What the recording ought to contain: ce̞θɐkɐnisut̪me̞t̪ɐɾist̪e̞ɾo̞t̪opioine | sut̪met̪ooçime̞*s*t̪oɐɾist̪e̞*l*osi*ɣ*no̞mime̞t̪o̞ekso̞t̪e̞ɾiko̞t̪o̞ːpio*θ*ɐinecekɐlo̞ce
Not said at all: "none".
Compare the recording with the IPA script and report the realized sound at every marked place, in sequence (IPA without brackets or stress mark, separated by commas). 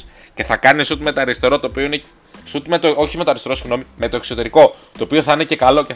none, ɾ, ɣ, θ